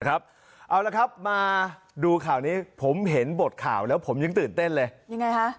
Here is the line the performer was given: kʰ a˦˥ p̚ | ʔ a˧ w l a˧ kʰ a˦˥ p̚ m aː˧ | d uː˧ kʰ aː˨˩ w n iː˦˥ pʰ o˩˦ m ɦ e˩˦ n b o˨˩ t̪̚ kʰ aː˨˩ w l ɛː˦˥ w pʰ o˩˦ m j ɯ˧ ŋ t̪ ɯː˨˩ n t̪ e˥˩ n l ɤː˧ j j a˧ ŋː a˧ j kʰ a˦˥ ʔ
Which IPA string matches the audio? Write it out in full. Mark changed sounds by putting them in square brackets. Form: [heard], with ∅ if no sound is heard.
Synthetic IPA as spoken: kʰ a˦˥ p̚ | ʔ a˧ w l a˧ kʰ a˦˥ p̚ m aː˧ | d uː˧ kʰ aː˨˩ w n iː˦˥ pʰ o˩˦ m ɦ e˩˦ n b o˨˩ t̪̚ kʰ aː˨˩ w l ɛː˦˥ w pʰ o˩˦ m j ɯ˧ ŋ t̪ ɯː˨˩ n t̪ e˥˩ n l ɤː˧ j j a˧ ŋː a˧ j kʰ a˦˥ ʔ